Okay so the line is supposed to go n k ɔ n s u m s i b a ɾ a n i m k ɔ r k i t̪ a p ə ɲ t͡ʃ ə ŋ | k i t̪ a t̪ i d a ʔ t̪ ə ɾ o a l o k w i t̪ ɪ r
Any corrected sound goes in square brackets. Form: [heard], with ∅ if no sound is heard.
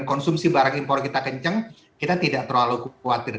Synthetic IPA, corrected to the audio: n k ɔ n s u m s i b a ɾ a [ŋ] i m [p] ɔ r k i t̪ a [k] ə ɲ t͡ʃ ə ŋ | k i t̪ a t̪ i d a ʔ t̪ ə ɾ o a l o k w [a] t̪ ɪ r